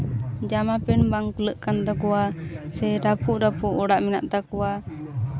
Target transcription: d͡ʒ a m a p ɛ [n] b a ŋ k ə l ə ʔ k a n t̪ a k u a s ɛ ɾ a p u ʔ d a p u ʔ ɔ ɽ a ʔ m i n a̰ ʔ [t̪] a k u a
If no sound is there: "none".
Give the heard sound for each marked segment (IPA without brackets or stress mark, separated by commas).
n, t̪